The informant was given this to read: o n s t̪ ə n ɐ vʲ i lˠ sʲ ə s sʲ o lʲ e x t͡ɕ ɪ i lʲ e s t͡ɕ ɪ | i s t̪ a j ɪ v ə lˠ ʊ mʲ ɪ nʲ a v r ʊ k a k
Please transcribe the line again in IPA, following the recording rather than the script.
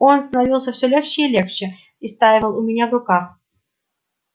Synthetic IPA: o n s t̪ ə n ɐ vʲ i lˠ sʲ ə f sʲ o lʲ e x t͡ɕ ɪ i lʲ e x t͡ɕ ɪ | i s t̪ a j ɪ v ə lˠ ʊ mʲ ɪ nʲ a v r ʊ k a x